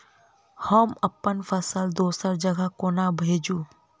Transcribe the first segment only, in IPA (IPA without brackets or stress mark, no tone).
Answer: h